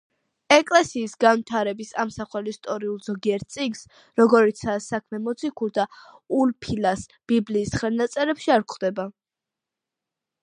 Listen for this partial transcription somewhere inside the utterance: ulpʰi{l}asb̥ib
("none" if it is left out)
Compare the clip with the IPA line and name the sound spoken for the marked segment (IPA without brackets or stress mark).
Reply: l